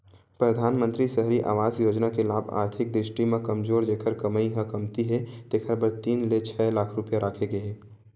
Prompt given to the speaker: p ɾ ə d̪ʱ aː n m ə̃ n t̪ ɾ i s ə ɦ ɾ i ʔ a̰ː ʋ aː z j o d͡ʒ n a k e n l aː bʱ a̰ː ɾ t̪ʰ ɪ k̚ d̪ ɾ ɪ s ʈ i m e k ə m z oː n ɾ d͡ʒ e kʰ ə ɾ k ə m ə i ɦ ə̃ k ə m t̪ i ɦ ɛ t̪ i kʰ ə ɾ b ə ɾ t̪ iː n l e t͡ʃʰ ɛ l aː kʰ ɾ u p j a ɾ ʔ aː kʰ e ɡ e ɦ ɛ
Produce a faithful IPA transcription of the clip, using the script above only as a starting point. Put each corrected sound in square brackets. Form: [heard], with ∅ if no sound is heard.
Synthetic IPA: p ɾ ə d̪ʱ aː n m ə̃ n t̪ ɾ i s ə ɦ ɾ i ʔ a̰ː ʋ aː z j o d͡ʒ n a k e [∅] l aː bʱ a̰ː ɾ t̪ʰ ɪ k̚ d̪ ɾ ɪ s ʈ i m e k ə m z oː [∅] ɾ d͡ʒ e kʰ ə ɾ k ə m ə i ɦ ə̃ k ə m t̪ i ɦ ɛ t̪ [e] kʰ ə ɾ b ə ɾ t̪ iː n l e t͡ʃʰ ɛ l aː kʰ ɾ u p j a ɾ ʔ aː kʰ e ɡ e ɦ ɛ